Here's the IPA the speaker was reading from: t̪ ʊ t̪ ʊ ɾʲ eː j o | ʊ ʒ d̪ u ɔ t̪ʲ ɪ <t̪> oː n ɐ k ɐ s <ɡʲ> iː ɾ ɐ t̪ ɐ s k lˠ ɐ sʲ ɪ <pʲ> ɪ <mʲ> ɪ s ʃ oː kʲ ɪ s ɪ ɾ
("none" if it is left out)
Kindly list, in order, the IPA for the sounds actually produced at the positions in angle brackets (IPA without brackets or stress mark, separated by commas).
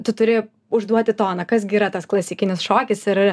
t̪, ɡʲ, kʲ, nʲ